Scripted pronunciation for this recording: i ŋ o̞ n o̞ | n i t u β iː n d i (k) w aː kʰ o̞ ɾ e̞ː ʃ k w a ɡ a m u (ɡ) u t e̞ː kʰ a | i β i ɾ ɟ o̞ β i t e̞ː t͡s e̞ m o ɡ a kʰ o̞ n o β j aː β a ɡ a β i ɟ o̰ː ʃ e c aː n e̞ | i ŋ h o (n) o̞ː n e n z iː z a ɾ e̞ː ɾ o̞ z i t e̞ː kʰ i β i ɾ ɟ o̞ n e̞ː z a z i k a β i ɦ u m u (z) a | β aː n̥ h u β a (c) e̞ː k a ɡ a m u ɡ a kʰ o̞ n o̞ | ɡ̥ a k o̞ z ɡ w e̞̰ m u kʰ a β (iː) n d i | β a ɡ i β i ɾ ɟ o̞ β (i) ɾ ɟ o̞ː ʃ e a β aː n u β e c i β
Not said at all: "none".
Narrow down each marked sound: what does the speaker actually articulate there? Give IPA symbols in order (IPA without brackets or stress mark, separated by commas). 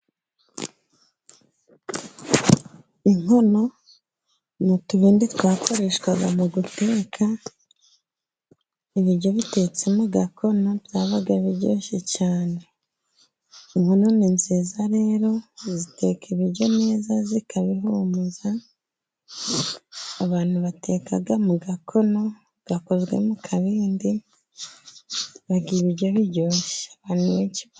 t, ɡ, n, z, t, iː, i